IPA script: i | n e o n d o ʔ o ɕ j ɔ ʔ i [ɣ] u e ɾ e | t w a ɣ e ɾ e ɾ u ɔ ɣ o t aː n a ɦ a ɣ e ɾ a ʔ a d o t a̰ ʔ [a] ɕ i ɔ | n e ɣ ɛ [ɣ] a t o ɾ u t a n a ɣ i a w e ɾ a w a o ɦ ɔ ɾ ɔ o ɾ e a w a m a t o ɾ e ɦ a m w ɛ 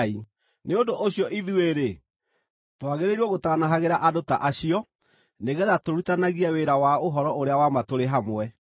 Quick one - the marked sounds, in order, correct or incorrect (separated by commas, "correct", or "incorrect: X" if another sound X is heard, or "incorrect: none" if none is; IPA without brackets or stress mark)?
incorrect: ð, correct, incorrect: ð